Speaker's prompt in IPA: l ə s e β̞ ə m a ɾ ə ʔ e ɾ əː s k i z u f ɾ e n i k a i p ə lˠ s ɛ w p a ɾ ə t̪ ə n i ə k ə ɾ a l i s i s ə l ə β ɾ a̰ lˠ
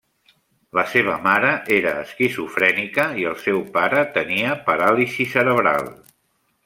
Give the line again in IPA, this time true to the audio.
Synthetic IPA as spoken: l ə s e β̞ ə m a ɾ ə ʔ e ɾ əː s k i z u f ɾ ɛ n i k ə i ə lˠ s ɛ w p a ɾ ə t̪ ə n i ə p ə ɾ a l i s i s ə ɾ ə β ɾ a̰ lˠ